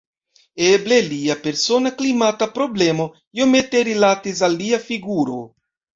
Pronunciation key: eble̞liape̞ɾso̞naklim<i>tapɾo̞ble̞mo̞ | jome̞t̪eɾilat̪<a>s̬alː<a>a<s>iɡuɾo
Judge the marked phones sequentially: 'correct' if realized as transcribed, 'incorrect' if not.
incorrect: a, incorrect: i, incorrect: i, incorrect: f

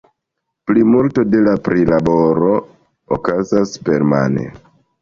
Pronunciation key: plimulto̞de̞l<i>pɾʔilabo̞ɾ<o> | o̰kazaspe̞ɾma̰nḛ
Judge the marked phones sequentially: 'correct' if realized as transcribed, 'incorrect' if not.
incorrect: a, correct

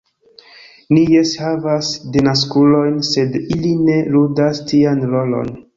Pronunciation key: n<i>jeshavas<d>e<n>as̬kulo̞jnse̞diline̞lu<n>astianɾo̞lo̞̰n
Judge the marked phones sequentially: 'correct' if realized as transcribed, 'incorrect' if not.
correct, correct, correct, incorrect: d

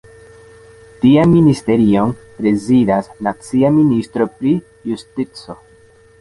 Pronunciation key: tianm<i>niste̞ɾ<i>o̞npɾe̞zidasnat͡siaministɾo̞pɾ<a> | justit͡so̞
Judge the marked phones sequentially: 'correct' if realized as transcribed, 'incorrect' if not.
correct, correct, incorrect: i

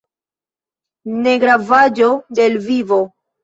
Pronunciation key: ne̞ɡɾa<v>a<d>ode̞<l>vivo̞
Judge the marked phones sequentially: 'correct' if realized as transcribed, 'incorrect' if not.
correct, incorrect: d͡ʒ, correct

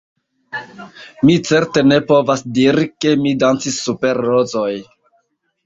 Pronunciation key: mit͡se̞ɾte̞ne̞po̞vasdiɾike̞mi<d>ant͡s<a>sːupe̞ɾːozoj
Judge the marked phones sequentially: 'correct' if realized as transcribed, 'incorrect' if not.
correct, incorrect: i

